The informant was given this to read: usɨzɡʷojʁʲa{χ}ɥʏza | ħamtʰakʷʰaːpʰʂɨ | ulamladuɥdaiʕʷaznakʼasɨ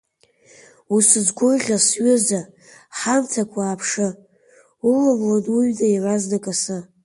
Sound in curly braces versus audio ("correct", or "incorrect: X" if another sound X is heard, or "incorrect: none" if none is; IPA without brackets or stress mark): incorrect: s